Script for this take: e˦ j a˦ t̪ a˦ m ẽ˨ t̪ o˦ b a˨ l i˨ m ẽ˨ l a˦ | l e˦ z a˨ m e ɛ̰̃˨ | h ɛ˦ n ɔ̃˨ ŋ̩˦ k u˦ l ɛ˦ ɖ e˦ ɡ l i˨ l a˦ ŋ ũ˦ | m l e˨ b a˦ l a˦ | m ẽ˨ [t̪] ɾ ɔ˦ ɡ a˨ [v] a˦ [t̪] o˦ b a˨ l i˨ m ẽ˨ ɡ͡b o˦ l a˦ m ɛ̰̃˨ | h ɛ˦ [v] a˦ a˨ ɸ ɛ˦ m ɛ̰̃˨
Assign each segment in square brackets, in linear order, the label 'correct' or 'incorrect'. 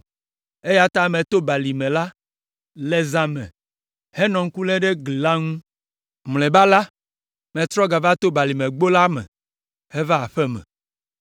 correct, correct, correct, correct

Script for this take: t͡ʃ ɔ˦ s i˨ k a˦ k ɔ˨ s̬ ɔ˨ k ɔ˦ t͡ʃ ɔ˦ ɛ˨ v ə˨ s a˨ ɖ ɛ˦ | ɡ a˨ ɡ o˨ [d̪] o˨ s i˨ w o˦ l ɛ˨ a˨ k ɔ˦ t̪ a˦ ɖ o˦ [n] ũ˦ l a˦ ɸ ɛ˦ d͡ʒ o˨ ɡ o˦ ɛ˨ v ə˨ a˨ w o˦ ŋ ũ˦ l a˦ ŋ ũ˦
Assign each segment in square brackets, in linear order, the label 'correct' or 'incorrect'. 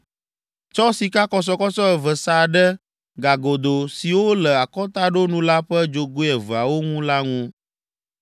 correct, correct

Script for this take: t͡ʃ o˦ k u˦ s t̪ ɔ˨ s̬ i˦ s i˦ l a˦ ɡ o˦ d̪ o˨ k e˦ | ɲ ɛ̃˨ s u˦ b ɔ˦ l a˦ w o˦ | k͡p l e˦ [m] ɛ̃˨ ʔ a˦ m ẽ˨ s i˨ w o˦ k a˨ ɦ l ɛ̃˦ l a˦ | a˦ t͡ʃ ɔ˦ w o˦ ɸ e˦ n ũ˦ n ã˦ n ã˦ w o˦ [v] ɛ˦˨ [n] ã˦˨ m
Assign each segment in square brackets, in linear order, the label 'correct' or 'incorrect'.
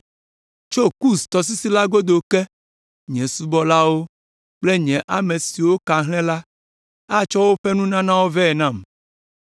incorrect: ɲ, correct, correct

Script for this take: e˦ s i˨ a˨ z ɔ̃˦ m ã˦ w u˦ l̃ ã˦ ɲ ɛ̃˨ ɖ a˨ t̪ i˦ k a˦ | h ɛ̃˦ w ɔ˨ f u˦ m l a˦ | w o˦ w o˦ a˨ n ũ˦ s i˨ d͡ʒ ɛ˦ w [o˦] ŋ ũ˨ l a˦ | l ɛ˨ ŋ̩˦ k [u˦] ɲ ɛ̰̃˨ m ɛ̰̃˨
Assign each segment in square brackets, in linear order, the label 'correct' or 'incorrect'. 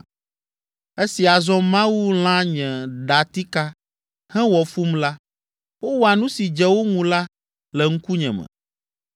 correct, correct

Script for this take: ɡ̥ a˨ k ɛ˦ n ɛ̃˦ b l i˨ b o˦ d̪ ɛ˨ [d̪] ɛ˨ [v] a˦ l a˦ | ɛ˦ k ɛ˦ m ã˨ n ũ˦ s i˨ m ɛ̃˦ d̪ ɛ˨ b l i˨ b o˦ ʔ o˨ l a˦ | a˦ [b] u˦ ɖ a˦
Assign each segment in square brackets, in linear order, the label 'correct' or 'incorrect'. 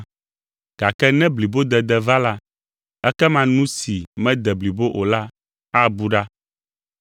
correct, correct, correct

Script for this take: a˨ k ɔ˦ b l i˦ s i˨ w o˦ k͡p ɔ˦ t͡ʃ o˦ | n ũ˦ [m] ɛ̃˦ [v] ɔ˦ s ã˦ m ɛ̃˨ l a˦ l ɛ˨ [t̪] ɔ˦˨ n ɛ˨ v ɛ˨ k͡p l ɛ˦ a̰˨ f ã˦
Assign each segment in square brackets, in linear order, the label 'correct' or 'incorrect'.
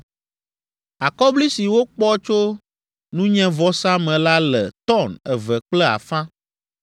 incorrect: ɲ, correct, correct

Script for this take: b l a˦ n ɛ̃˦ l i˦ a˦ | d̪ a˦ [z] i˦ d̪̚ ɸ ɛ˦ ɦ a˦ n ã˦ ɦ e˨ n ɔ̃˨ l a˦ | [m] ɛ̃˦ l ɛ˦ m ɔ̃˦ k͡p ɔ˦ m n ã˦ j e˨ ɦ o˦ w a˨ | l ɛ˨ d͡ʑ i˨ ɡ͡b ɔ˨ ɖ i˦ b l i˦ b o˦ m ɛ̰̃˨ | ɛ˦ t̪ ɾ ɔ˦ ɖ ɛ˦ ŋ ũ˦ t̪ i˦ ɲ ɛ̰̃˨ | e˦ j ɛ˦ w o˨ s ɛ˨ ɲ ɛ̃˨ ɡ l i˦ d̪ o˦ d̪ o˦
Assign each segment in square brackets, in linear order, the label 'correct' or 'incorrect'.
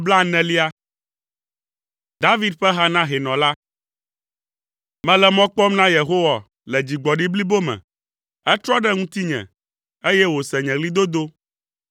incorrect: v, correct

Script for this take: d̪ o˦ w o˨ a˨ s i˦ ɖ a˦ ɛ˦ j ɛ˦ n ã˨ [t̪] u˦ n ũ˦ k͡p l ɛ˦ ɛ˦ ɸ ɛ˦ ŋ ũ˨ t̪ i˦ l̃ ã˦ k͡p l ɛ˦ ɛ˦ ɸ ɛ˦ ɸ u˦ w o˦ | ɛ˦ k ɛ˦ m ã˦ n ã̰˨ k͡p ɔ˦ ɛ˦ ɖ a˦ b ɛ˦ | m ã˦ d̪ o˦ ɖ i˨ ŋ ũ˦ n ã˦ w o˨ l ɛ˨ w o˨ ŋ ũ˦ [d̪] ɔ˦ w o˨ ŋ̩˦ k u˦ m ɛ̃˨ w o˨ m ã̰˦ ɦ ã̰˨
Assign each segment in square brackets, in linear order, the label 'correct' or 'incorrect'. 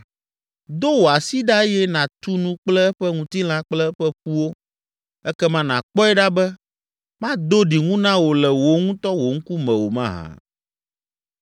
correct, incorrect: t̪

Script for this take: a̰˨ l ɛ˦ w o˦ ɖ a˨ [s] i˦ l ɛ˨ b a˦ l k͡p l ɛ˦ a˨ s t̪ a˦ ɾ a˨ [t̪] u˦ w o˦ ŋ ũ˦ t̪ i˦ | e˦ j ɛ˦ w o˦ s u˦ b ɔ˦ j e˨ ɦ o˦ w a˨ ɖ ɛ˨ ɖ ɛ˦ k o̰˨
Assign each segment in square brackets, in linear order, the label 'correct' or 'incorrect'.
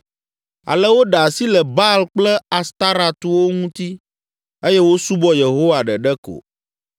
correct, correct

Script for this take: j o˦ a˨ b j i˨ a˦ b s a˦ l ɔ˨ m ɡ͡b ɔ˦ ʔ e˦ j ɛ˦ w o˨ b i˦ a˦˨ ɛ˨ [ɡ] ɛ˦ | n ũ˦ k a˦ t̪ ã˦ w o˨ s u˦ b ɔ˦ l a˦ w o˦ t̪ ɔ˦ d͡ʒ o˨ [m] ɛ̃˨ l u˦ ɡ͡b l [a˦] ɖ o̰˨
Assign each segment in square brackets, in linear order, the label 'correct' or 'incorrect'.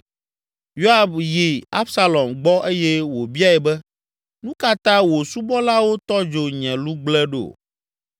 incorrect: b, incorrect: ɲ, incorrect: ɛ˦

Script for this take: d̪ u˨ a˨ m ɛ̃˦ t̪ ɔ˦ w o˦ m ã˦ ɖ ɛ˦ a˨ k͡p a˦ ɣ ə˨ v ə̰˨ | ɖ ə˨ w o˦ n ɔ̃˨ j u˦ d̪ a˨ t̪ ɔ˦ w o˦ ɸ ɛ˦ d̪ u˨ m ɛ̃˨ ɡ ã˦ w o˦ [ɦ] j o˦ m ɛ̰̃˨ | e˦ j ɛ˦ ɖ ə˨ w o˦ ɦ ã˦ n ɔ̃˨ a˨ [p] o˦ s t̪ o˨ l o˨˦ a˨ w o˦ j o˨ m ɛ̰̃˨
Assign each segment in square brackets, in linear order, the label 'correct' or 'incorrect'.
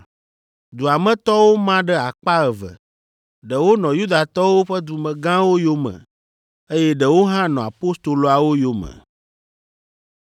incorrect: none, correct

